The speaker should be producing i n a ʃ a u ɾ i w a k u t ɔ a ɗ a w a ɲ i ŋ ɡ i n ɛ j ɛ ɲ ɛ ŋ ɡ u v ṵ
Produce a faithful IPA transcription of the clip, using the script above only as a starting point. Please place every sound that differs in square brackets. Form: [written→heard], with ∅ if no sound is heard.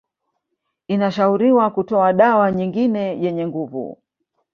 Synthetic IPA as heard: i n a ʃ a u ɾ i w a k u t ɔ a ɗ a w a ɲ i ŋ ɡ i n ɛ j ɛ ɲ ɛ ŋ ɡ u v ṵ